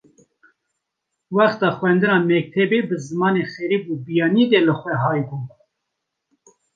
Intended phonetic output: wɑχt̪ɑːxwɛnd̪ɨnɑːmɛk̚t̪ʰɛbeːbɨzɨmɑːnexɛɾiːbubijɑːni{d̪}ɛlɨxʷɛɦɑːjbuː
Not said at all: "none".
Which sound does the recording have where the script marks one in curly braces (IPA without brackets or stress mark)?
d̪